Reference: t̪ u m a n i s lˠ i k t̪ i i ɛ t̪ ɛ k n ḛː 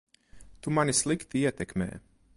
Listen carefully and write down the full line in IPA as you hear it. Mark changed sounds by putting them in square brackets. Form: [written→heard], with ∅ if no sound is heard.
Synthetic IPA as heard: t̪ u m a n i s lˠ i k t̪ i i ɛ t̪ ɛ k [n→m] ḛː